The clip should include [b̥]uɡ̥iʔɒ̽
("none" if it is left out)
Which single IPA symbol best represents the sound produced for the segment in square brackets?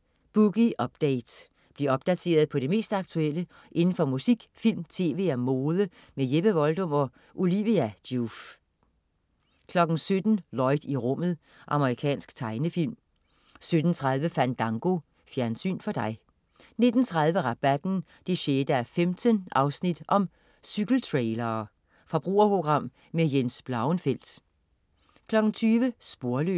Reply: b̥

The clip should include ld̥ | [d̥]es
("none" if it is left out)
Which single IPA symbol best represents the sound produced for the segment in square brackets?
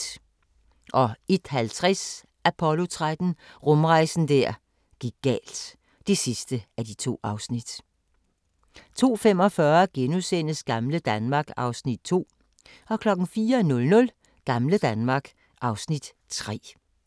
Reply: d̥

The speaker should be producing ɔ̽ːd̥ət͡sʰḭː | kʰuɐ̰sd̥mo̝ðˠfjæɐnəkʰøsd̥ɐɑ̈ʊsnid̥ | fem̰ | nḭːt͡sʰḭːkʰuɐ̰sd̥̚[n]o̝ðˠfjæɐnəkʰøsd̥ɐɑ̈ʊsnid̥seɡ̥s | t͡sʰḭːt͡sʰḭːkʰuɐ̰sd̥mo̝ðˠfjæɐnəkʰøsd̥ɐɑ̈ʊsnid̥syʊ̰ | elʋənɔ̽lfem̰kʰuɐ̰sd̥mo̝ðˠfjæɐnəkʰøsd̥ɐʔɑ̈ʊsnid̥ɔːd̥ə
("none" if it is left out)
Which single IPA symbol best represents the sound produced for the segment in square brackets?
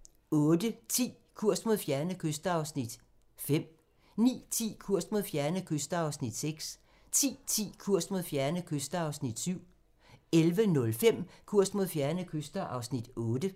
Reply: m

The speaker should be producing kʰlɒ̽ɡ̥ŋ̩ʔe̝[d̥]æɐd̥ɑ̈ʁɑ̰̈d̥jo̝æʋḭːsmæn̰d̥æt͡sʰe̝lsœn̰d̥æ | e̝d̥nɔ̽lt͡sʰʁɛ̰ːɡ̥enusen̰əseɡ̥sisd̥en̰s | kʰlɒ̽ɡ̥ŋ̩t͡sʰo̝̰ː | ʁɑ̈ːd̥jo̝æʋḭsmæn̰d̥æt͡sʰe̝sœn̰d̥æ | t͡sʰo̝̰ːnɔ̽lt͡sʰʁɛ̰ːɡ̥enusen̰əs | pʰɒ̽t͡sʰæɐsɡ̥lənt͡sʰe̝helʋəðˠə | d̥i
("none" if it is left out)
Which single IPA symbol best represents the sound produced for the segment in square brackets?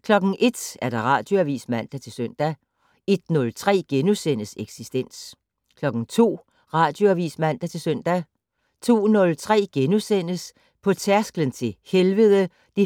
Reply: d̥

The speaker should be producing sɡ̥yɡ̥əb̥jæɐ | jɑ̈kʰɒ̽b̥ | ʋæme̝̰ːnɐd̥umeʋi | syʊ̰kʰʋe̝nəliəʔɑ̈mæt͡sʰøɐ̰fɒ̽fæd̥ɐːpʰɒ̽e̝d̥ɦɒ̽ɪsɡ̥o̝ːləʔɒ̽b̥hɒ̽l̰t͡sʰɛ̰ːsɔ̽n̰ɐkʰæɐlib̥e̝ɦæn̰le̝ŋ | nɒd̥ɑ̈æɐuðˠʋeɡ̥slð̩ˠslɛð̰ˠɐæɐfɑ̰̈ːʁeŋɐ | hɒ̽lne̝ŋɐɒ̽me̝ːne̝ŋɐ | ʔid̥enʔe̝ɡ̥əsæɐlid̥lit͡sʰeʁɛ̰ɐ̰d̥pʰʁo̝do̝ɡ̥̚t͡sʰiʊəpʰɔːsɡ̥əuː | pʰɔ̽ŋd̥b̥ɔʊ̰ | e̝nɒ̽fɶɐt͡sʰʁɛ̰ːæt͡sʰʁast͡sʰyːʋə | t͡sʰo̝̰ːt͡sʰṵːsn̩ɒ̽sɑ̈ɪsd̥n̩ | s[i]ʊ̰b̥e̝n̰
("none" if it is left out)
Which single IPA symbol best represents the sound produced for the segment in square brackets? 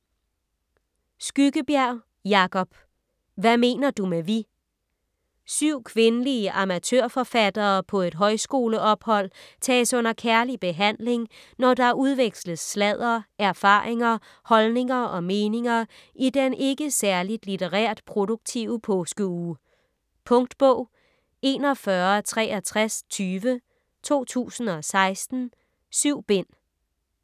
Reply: y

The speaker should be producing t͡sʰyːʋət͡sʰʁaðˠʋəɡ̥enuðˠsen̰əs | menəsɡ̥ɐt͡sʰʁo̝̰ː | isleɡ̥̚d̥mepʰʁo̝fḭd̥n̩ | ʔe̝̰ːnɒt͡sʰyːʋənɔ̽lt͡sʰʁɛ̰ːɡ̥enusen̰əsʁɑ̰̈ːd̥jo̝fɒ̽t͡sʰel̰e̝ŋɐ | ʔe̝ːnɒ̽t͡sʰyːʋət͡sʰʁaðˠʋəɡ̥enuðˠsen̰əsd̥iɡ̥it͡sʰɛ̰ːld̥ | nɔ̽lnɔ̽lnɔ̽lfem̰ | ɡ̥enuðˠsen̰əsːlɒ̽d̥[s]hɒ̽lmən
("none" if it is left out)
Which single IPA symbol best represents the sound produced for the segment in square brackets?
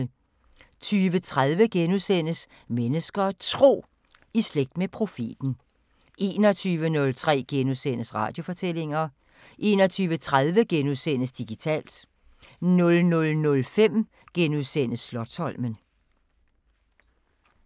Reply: s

